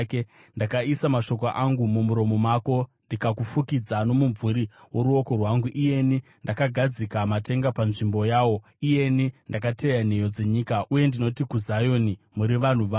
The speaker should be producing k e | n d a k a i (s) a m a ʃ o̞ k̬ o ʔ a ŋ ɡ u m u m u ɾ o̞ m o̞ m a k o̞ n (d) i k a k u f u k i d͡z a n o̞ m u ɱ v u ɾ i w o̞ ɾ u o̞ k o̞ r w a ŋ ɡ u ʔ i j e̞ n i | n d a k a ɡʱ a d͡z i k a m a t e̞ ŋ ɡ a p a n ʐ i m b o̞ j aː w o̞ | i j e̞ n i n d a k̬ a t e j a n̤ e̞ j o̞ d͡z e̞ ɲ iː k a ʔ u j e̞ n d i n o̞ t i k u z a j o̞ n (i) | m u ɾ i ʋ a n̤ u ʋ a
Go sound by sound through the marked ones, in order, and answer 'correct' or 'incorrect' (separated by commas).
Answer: correct, correct, correct